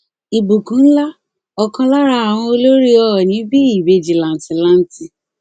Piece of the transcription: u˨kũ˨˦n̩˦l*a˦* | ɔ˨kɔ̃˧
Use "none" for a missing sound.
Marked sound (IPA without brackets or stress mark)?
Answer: a˦